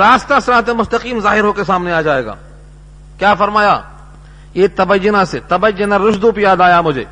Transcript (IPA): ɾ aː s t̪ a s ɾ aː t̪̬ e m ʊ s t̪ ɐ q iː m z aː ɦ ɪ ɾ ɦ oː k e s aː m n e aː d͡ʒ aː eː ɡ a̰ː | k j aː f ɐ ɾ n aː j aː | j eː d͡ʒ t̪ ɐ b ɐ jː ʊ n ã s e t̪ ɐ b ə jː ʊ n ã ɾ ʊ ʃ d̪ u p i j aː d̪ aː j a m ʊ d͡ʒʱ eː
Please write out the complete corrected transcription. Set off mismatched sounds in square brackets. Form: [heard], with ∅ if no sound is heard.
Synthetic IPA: ɾ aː s t̪ a s ɾ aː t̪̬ e m ʊ s t̪ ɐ q iː m z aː ɦ ɪ ɾ ɦ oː k e s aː m n e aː d͡ʒ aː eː ɡ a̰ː | k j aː f ɐ ɾ [m] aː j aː | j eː [∅] t̪ ɐ b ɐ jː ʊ n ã s e t̪ ɐ b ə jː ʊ n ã ɾ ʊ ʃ d̪ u p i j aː d̪ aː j a m ʊ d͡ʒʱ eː